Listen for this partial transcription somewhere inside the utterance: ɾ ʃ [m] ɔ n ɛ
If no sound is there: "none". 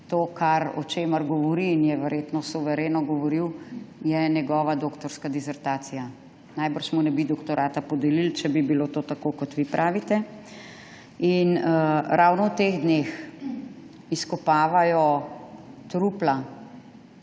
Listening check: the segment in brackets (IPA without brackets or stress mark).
m